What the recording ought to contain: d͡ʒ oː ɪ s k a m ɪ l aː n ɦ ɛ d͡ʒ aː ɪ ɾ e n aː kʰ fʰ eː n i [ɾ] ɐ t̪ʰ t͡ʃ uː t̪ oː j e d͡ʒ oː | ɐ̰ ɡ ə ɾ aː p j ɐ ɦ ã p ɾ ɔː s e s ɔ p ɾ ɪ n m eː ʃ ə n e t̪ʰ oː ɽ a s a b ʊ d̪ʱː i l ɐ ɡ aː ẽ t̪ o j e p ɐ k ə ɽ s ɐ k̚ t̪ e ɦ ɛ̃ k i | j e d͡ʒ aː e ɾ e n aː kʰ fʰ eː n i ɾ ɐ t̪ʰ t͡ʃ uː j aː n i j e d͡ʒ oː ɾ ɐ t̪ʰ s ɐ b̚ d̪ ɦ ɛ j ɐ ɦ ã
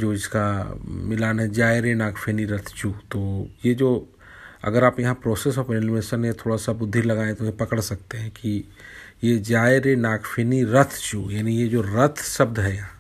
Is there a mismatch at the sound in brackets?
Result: no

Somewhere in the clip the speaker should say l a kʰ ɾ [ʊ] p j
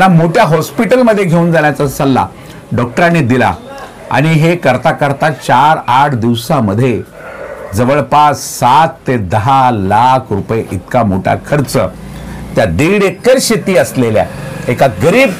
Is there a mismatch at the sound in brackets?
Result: yes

